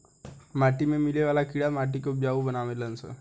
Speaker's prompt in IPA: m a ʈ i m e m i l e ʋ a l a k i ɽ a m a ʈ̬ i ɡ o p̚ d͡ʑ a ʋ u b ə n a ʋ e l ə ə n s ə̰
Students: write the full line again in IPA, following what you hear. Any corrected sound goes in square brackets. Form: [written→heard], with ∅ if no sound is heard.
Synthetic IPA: m a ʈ i m e m i l e ʋ a l a k i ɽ a m a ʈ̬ i [ɡ→k] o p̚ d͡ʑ a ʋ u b ə n a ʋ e l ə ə n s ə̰

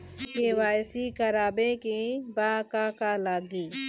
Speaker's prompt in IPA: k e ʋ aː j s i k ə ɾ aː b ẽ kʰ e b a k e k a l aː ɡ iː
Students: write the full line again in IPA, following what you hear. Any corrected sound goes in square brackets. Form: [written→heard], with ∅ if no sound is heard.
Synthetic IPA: k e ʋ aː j s i k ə ɾ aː b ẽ [kʰ→k] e b a k [e→a] k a l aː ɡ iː

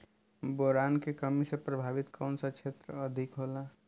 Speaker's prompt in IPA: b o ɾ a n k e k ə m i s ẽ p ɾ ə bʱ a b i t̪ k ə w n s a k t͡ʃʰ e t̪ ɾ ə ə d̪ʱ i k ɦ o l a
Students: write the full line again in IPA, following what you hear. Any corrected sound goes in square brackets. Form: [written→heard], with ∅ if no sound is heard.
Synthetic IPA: b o ɾ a n k e k ə m i s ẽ p ɾ ə bʱ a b i t̪ k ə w n s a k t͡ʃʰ e t̪ ɾ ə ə d̪ʱ i k ɦ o l a

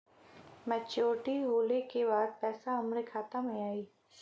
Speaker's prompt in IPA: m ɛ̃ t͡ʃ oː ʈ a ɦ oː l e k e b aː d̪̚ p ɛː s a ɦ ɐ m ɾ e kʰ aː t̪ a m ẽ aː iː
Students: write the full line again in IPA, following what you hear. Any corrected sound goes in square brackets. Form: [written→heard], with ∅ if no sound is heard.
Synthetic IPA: m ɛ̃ t͡ʃ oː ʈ [a→i] ɦ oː l e k e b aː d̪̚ p ɛː s a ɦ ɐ m ɾ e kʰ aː t̪ a m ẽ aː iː

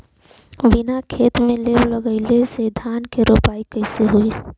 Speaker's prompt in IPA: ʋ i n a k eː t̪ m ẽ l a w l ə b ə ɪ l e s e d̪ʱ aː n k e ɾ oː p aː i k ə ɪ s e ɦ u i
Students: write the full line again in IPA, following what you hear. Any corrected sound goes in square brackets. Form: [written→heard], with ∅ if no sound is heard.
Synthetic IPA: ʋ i n a [k→kʰ] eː t̪ m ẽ l [a→e] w l ə [b→ɡ] ə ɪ l e s e d̪ʱ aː n k e ɾ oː p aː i k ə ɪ s e ɦ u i

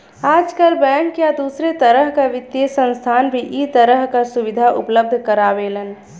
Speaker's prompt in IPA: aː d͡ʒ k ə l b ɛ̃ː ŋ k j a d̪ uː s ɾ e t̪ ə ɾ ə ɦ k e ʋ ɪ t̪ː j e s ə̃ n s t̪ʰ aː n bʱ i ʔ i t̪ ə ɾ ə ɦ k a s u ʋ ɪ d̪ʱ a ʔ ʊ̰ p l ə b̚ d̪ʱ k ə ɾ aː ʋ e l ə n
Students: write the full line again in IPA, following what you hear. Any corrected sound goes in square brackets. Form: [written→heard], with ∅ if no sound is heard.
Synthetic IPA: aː d͡ʒ k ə l b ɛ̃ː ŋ k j a d̪ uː s ɾ e t̪ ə ɾ ə ɦ k [e→a] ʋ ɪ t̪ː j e s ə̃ n s t̪ʰ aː n bʱ i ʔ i t̪ ə ɾ ə ɦ k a s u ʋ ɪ d̪ʱ a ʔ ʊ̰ p l ə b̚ d̪ʱ k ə ɾ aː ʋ e l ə n

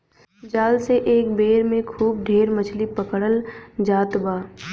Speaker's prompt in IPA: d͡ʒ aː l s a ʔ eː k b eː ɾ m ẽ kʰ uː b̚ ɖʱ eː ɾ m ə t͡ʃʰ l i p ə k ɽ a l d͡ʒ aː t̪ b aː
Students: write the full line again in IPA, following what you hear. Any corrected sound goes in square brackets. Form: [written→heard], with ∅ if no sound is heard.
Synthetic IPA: d͡ʒ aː l s [a→e] ʔ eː k b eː ɾ m ẽ kʰ uː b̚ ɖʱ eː ɾ m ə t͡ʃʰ l i p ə k ɽ [a→ə] l d͡ʒ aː t̪ b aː

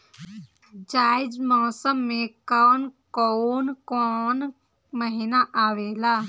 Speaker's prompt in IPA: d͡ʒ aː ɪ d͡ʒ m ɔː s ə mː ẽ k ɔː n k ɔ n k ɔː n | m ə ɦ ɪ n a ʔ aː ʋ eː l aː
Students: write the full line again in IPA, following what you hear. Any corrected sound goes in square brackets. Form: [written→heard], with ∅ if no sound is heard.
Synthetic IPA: d͡ʒ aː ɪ d͡ʒ m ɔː s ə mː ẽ k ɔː n k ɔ n k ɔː n | m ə ɦ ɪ n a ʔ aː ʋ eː l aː

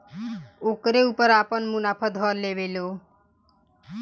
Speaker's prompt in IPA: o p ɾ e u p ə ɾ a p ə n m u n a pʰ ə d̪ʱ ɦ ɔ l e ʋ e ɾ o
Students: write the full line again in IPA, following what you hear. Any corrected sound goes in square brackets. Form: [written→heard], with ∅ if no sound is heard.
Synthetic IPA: o [p→k] ɾ e u p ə ɾ a p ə n m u n a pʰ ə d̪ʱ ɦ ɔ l e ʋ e [ɾ→l] o

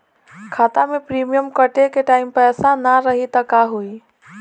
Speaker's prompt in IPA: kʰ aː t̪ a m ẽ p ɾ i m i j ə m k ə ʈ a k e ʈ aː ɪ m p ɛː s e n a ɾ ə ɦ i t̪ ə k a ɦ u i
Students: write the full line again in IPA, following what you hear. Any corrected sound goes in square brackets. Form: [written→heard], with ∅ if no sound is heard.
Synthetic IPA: kʰ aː t̪ a m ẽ p ɾ i m i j ə m k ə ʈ [a→e] k e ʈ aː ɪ m p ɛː s [e→a] n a ɾ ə ɦ i t̪ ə k a ɦ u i

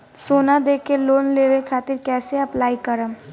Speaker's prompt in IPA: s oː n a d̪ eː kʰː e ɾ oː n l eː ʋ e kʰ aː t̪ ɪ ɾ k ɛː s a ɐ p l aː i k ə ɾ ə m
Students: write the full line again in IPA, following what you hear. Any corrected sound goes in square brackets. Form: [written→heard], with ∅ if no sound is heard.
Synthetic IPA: s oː n a d̪ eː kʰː e [ɾ→l] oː n l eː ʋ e kʰ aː t̪ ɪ ɾ k ɛː s [a→e] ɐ p l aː i k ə ɾ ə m

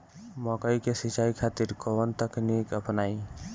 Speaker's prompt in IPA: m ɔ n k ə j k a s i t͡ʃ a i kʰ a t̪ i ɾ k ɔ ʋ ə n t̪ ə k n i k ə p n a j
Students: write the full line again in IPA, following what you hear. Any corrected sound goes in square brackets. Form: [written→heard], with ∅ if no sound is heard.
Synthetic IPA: m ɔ [n→∅] k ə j k [a→e] s i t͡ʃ a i kʰ a t̪ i ɾ k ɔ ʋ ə n t̪ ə k n i k ə p n a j

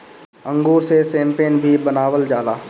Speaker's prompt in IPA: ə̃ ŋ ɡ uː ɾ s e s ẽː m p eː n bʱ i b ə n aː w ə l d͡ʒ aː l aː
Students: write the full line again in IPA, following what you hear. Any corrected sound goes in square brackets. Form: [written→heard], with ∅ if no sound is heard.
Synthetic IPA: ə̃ ŋ ɡ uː ɾ s e s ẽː m p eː n bʱ i b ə n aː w ə l d͡ʒ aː l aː

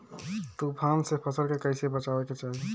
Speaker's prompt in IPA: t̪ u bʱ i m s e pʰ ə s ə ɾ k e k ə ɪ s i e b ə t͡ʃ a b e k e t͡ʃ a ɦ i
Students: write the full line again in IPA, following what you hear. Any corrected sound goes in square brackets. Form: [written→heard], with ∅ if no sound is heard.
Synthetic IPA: t̪ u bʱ [i→a] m s e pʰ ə s ə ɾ k e k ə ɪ s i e b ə t͡ʃ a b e k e t͡ʃ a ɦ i

